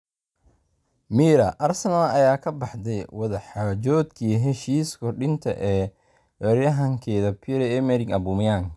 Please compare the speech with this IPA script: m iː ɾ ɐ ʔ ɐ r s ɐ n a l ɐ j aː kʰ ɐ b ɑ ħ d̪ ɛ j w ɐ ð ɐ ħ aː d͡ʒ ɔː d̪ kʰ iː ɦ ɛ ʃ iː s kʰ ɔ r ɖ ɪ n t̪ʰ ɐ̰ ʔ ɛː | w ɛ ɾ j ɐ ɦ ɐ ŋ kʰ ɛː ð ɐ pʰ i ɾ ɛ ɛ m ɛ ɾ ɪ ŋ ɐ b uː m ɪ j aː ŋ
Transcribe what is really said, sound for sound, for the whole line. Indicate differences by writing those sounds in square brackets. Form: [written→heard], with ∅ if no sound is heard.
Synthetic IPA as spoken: m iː ɾ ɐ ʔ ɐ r s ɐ n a l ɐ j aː kʰ ɐ b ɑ ħ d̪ ɛ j w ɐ ð ɐ ħ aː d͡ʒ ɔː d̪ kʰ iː ɦ ɛ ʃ iː s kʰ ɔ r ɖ ɪ n t̪ʰ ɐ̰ ʔ ɛː | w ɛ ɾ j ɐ ɦ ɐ ŋ kʰ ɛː ð ɐ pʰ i ɾ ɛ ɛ m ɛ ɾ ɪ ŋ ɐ b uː m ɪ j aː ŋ